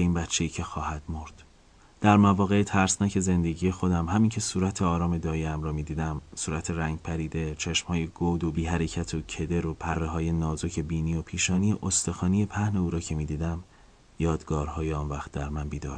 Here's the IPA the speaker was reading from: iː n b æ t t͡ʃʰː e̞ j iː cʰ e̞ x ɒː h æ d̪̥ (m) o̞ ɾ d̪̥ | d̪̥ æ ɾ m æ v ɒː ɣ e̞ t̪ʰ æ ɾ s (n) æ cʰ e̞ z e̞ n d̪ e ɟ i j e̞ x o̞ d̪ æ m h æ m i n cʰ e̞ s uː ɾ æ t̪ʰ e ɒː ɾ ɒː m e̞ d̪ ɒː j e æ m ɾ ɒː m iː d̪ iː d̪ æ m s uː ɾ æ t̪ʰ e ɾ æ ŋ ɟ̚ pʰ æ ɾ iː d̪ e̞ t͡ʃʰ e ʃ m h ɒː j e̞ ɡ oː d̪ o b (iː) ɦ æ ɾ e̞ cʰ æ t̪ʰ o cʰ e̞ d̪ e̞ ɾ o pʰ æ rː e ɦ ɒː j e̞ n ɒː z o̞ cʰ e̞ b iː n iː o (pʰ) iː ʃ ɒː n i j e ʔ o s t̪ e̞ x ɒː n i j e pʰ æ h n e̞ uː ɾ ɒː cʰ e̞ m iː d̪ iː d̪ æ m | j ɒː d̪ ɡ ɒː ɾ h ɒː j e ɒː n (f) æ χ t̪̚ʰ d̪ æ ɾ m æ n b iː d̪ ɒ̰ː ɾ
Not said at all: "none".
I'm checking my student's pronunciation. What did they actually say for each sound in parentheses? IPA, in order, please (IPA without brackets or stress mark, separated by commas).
m, n, iː, pʰ, v